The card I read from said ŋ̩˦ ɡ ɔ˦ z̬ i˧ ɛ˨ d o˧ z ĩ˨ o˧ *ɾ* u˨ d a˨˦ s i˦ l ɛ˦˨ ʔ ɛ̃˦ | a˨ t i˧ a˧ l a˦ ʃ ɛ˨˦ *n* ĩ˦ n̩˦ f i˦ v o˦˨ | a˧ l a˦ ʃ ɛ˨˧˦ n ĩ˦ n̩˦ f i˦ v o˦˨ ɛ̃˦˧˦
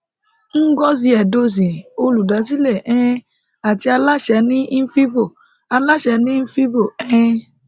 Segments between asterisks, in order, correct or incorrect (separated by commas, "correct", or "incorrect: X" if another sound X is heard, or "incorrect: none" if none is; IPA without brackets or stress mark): incorrect: l, correct